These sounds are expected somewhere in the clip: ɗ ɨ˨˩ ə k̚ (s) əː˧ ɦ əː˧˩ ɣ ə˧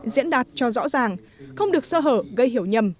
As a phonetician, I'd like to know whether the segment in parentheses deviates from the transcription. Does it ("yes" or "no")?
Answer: no